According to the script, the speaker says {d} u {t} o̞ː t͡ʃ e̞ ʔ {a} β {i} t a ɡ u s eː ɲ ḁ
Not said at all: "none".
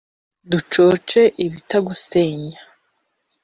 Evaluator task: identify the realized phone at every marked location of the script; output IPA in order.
d, t͡ʃ, i, i

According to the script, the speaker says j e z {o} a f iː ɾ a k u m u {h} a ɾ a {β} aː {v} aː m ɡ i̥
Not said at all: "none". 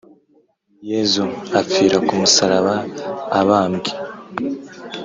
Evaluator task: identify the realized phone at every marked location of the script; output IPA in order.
u, s, β, β

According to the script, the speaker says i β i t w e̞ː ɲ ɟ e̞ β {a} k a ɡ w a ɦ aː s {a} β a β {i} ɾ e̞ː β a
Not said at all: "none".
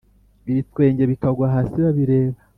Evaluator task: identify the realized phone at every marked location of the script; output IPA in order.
i, i, i

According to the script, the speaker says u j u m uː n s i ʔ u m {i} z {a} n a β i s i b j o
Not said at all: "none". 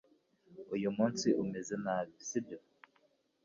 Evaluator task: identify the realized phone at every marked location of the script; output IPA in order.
e, e

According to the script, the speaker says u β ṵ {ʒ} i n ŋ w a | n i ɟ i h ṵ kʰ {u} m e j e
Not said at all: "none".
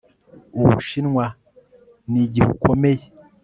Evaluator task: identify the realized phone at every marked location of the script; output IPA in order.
ʃ, o

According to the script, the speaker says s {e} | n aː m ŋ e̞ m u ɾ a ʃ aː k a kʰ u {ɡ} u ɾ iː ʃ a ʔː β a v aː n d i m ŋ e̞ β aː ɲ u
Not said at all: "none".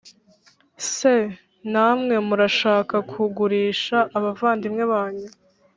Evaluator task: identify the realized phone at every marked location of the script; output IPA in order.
e, ɡ

